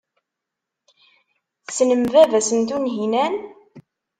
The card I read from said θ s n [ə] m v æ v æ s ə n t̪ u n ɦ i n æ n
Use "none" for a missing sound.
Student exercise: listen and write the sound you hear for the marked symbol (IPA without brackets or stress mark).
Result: ə